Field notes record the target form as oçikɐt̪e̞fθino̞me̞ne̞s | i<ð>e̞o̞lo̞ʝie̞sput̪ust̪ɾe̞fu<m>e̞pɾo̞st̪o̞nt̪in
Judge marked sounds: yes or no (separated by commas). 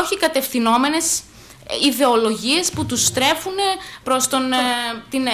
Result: yes, no